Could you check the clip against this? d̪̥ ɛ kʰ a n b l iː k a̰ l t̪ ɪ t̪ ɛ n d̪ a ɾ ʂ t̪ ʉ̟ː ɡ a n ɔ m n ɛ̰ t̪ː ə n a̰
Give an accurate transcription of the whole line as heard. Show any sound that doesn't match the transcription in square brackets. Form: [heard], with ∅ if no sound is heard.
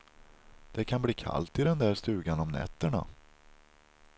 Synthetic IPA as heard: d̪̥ ɛ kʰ a n b l iː [kʰ] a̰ l t̪ ɪ [d̪] ɛ n d̪ [æ] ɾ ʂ t̪ ʉ̟ː ɡ a n ɔ m n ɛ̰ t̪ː ə [ɳ] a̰